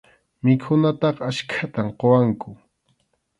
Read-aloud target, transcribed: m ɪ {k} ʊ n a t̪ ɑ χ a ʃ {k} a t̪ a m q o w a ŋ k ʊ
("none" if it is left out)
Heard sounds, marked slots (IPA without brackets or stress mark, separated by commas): kʰ, kʰ